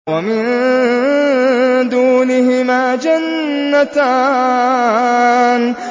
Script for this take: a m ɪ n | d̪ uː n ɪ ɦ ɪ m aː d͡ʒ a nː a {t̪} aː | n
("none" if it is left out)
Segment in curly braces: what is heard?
t̪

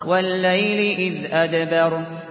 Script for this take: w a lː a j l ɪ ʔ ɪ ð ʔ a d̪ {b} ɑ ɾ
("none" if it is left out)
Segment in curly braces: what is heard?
b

